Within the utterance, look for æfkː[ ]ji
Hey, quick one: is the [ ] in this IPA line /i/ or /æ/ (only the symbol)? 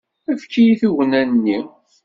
i